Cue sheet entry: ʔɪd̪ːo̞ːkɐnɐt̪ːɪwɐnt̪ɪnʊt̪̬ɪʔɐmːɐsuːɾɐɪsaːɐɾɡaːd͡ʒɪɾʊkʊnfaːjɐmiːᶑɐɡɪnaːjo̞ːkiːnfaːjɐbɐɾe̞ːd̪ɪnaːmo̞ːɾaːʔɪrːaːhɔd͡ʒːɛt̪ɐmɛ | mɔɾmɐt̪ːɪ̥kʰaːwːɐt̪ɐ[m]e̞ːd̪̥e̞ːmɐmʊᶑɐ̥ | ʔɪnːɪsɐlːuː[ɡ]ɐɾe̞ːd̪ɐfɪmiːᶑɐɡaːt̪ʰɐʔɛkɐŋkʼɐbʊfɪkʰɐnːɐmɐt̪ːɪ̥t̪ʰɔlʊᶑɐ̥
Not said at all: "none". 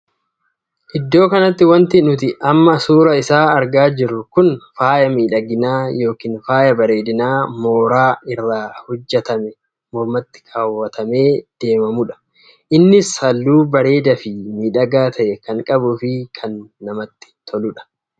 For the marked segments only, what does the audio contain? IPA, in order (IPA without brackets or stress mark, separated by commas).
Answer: m, b